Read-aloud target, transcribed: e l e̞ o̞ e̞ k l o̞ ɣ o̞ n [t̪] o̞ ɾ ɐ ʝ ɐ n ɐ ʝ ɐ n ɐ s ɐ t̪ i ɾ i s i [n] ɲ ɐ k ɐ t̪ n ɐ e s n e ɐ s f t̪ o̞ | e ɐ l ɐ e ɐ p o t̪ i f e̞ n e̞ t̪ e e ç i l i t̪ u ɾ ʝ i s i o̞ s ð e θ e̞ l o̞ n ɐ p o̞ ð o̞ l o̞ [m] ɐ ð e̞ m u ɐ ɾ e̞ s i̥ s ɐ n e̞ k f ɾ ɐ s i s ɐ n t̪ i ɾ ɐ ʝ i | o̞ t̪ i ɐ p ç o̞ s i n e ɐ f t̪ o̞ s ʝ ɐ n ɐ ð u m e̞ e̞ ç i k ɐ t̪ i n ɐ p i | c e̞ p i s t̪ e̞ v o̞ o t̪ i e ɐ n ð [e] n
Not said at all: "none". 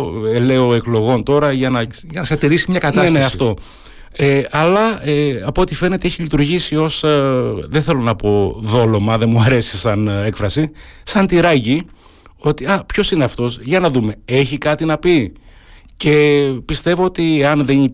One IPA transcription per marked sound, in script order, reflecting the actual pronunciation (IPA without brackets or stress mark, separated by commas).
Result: t̪, m, m, e